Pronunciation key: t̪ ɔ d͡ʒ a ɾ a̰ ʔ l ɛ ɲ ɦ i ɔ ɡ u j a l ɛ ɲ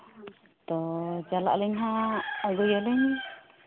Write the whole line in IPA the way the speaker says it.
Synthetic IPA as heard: t̪ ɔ d͡ʒ a l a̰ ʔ l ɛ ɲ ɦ a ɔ ɡ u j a l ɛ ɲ